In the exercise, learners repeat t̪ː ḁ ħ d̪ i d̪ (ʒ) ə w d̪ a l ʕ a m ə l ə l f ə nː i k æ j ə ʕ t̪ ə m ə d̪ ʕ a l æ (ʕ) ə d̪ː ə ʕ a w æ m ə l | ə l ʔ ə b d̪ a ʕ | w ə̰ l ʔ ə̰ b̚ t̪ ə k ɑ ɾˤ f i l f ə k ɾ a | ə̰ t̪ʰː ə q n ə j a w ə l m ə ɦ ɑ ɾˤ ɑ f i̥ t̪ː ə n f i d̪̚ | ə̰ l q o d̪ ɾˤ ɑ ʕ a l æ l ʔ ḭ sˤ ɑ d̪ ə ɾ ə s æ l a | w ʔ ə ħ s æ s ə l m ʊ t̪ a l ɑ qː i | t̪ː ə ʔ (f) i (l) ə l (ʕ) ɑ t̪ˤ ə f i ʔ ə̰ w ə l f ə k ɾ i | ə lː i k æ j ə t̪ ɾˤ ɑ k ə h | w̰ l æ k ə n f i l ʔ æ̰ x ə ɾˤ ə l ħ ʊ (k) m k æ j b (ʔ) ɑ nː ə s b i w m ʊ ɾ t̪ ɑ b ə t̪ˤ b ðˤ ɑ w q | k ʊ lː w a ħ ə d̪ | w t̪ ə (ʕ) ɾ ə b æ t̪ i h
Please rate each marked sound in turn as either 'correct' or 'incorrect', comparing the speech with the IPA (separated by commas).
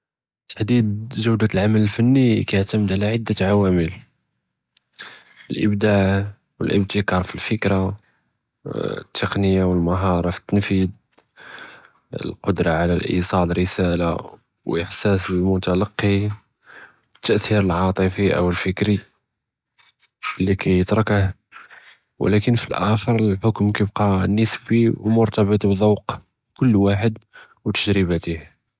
correct, correct, incorrect, incorrect, correct, correct, incorrect, incorrect